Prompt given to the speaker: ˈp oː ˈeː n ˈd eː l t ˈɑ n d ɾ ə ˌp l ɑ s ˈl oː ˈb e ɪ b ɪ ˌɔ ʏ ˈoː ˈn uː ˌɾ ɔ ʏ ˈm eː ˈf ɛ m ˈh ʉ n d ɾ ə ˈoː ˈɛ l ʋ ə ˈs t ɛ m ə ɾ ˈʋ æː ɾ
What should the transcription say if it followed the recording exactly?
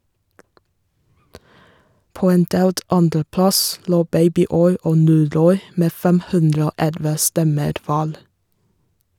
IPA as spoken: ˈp oː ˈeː n ˈd eː l t ˈɑ n d ɾ ə ˌp l ɑ s ˈl oː ˈb e ɪ b ɪ ˌɔ ʏ ˈoː ˈn uː ˌɾ ɔ ʏ ˈm eː ˈf ɛ m ˈh ʉ n d ɾ ə ˈoː ˈɛ l ʋ ə ˈs t ɛ m ə ɾ ˈʋ æː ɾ